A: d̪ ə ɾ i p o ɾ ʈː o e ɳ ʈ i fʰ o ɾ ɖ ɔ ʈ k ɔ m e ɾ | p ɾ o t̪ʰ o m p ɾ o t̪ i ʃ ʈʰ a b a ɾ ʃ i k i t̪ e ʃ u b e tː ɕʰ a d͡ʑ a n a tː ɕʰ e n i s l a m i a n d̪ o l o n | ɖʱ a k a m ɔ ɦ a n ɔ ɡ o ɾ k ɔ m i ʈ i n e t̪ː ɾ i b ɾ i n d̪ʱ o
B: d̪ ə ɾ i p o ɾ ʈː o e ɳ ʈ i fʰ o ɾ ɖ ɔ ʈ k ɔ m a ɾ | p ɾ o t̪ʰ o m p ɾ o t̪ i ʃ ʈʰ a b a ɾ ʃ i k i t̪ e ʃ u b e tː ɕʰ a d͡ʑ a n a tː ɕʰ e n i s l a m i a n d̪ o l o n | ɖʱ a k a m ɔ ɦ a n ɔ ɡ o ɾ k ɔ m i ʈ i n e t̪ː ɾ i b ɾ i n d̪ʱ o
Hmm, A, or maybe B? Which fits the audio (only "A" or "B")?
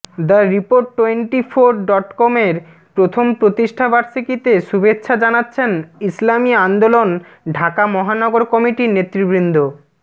A